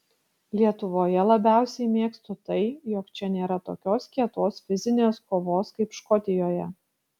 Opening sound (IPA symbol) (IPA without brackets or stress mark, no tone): lʲ